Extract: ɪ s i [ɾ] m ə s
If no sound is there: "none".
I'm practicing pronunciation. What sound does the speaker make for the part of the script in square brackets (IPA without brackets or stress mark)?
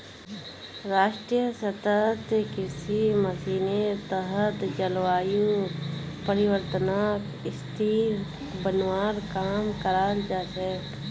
none